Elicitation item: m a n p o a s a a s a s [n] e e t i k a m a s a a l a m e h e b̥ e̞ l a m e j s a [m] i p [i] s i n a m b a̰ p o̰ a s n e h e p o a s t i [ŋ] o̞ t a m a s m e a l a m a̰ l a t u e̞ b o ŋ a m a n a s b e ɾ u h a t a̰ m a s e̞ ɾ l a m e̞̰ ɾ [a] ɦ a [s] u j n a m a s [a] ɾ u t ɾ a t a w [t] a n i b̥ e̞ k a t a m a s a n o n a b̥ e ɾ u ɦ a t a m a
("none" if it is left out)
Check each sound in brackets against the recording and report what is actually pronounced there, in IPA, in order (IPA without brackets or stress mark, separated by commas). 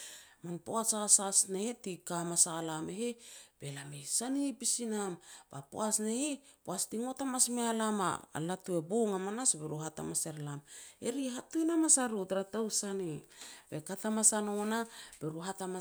n, n, i, ŋ, i, t, a, s